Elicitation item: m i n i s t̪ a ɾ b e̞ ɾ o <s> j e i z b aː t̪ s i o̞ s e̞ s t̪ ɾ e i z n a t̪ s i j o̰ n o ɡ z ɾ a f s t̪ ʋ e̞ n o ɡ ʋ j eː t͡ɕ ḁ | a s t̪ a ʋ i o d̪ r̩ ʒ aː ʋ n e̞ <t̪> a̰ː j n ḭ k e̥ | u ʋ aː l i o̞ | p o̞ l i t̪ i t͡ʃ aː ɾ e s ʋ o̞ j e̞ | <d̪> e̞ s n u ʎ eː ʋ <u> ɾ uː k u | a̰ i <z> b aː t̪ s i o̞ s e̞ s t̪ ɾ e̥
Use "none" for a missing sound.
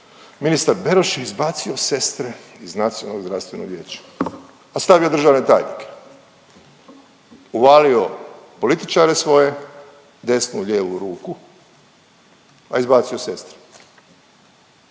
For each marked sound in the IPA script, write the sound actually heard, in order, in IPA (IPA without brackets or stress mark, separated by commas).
ʃ, t̪, d̪, u, z